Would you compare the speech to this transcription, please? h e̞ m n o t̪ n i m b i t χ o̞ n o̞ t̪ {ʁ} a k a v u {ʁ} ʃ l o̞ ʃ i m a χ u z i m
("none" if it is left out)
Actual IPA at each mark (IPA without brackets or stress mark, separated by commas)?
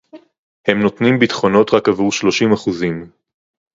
ʁ, ʁ